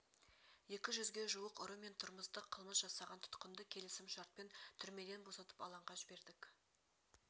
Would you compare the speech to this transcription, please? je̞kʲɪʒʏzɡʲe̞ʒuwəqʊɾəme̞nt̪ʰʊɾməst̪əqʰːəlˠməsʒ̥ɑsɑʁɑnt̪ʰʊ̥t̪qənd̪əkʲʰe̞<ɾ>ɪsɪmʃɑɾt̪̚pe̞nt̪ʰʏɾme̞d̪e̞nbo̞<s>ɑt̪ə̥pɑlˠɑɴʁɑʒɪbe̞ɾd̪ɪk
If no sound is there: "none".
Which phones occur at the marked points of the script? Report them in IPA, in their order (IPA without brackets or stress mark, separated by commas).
l, s